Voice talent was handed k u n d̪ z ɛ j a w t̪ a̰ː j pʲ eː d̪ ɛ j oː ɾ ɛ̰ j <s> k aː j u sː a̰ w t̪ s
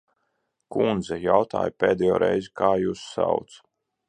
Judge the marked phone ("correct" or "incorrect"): incorrect